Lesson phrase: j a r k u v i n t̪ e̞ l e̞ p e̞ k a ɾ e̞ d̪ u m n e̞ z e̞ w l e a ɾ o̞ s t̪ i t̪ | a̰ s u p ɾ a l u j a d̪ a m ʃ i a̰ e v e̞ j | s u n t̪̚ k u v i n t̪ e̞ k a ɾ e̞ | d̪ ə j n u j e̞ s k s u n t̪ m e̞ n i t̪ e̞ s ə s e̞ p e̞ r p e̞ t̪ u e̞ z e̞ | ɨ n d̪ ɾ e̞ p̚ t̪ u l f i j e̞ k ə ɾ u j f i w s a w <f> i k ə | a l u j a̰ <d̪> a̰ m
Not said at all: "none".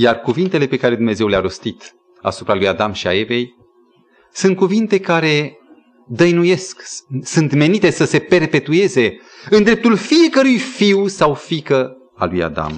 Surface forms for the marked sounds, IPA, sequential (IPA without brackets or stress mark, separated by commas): f, d̪